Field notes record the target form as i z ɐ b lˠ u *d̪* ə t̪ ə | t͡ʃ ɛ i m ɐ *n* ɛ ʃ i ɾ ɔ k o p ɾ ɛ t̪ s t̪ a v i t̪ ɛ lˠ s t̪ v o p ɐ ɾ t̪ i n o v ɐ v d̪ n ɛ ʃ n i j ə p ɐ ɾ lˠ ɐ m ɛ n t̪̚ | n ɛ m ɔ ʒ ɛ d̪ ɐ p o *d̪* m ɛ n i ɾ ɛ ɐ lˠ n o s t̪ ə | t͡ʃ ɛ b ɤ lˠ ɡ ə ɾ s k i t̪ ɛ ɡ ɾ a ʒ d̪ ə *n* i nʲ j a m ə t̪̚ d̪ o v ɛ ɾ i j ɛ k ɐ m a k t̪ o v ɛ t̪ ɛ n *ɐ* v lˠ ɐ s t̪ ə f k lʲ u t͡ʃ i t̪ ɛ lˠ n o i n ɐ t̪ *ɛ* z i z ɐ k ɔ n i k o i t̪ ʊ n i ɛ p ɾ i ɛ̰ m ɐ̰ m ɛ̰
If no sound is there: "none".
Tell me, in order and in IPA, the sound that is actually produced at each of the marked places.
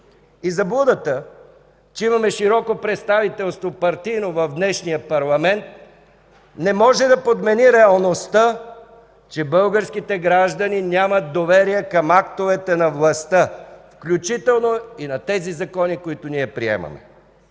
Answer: d̪, m, d̪, n, ɐ, ɛ

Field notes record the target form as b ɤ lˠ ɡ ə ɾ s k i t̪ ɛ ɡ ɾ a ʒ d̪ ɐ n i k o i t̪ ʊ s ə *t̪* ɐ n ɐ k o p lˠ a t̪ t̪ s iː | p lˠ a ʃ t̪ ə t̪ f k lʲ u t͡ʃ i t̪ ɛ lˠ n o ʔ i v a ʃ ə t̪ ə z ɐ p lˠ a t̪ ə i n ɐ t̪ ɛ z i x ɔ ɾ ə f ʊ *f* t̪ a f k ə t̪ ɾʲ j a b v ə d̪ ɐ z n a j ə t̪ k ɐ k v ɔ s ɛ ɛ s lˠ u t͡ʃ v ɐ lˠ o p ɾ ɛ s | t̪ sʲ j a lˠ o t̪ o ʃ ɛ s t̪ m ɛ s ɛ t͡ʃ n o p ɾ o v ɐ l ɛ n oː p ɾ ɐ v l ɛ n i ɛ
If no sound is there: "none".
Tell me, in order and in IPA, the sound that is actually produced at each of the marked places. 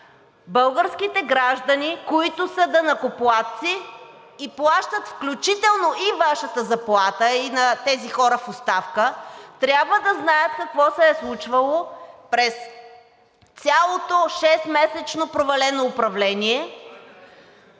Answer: d̪, s

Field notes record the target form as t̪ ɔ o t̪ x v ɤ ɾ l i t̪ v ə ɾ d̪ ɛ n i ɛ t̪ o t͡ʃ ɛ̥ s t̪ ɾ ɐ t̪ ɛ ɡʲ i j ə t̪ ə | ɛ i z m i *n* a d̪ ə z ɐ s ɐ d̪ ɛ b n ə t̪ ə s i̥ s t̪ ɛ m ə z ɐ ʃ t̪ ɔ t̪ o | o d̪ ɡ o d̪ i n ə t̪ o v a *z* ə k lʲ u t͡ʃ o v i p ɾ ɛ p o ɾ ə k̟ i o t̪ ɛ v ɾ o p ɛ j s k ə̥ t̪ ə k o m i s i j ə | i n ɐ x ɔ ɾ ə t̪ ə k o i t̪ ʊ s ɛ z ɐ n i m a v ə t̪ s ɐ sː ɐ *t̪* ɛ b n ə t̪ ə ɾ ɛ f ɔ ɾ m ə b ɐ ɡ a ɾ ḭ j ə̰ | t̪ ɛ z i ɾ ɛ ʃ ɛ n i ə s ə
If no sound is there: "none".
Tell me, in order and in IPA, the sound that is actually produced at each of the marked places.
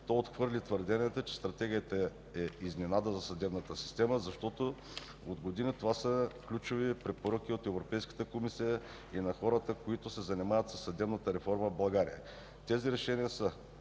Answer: n, s, d̪

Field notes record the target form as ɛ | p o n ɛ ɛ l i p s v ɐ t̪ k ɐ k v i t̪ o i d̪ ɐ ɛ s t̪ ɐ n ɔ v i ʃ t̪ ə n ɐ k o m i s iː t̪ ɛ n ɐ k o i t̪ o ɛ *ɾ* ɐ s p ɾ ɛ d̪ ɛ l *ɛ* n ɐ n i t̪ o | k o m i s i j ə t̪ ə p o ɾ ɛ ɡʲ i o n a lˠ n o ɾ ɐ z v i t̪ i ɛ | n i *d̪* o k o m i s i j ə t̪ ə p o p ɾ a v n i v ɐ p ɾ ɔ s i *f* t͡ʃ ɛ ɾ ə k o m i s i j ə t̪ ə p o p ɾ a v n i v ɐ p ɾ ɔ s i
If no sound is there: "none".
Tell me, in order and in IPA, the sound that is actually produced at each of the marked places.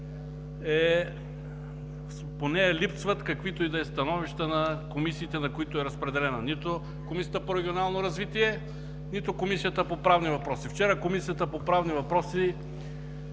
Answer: ɾ, ɛ, t̪, f

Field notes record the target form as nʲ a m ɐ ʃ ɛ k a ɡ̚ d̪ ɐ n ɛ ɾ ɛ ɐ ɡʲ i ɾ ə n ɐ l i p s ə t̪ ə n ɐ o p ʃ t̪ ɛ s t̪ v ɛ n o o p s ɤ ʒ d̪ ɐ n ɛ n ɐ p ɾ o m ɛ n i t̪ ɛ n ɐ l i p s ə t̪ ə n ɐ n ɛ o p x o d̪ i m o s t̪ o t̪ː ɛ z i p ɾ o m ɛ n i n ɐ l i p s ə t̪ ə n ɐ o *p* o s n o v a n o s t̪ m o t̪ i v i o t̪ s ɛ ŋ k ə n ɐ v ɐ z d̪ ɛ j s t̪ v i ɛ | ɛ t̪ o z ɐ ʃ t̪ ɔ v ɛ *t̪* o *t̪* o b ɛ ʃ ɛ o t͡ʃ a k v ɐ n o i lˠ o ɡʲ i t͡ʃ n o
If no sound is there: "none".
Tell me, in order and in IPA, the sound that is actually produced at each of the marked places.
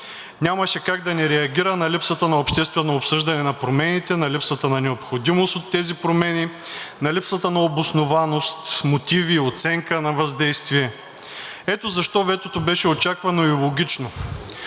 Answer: b, t̪, t̪

